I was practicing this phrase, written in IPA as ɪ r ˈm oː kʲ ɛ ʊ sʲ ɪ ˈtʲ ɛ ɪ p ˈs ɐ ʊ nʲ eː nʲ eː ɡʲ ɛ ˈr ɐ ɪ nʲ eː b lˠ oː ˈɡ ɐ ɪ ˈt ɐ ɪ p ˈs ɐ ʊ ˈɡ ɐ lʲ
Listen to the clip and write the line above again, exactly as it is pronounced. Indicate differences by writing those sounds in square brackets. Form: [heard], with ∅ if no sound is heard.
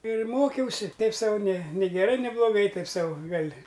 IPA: ɪ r ˈm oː kʲ ɛ ʊ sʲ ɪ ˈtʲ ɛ ɪ p ˈs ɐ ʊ nʲ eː nʲ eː ɡʲ ɛ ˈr ɐ ɪ nʲ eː b lˠ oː ˈɡ ɐ ɪ ˈt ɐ ɪ p ˈs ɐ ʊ ˈɡ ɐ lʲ

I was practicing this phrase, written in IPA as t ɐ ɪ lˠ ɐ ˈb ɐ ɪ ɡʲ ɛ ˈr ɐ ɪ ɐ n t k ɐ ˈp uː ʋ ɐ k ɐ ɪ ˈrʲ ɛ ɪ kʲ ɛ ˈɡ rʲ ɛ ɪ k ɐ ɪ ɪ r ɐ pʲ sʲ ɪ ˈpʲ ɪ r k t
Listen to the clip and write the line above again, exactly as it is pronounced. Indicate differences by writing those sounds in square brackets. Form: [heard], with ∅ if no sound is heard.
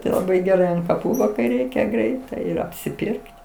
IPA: t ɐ ɪ lˠ ɐ ˈb ɐ ɪ ɡʲ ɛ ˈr ɐ ɪ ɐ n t k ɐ ˈp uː ʋ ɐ k ɐ ɪ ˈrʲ ɛ ɪ kʲ ɛ ˈɡ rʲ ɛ ɪ [t] ɐ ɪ ɪ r ɐ pʲ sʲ ɪ ˈpʲ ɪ r k t

